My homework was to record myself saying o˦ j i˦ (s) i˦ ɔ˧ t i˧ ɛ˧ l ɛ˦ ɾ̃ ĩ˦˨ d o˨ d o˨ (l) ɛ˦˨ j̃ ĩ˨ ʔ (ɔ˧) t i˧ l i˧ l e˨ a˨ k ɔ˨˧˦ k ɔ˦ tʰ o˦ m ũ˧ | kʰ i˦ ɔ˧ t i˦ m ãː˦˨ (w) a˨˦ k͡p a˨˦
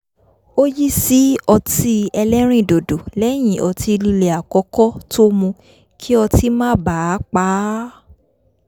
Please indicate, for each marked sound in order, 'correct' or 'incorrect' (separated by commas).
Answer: correct, correct, correct, incorrect